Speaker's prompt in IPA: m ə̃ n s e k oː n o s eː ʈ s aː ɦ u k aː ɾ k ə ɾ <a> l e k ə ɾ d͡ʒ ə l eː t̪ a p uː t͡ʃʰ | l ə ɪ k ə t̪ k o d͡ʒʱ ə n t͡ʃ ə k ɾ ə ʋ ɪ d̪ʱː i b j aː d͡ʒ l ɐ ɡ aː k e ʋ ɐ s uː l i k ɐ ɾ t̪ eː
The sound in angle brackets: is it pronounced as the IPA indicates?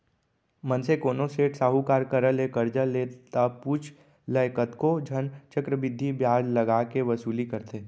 no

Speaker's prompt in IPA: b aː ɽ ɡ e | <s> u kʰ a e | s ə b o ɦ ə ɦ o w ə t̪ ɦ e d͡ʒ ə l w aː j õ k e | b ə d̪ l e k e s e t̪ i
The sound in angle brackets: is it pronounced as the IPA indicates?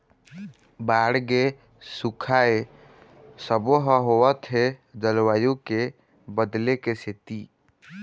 yes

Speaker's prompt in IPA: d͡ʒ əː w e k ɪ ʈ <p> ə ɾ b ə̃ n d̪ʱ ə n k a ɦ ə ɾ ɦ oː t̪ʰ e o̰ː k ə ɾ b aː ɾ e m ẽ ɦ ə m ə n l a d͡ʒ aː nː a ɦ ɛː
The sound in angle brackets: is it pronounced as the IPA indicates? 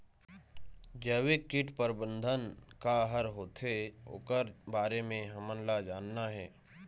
yes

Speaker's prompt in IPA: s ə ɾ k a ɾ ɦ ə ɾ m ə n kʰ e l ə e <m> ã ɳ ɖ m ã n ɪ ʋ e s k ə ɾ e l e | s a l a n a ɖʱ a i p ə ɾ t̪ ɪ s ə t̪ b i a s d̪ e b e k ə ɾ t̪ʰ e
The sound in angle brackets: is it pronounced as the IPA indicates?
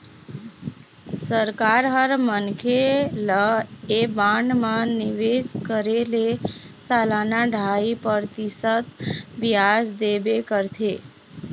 no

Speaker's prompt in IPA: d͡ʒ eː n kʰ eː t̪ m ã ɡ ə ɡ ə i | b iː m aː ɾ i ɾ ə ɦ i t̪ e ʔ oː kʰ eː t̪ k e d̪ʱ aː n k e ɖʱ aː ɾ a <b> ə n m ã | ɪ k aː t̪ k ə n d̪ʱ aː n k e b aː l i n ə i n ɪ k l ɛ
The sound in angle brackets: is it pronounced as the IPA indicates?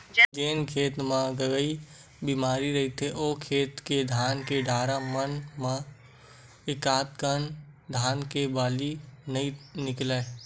no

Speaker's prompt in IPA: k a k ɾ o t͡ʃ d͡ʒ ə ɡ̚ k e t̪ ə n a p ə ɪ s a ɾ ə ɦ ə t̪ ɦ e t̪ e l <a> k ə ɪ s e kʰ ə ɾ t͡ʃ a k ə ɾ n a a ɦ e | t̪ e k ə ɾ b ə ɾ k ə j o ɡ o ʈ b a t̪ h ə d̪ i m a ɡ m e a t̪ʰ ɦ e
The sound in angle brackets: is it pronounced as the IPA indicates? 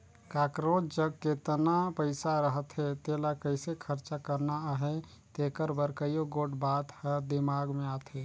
yes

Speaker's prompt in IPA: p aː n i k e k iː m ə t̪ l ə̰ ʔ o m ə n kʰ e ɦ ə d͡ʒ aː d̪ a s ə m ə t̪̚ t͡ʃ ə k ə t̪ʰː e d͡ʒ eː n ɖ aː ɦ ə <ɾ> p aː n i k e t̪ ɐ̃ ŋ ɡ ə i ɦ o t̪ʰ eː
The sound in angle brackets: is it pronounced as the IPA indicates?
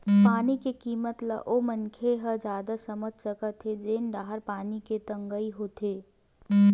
yes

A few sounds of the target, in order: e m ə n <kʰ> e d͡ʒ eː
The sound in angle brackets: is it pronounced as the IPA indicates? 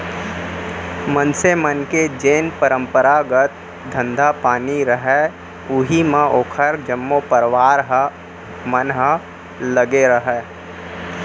no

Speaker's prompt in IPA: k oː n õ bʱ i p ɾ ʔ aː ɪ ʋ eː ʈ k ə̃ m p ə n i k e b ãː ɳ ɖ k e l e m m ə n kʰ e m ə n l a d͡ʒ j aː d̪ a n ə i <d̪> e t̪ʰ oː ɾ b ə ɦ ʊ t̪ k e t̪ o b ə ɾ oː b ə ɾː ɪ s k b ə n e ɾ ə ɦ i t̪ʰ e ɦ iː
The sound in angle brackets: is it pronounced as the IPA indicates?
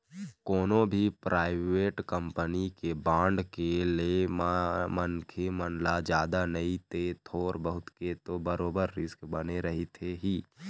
no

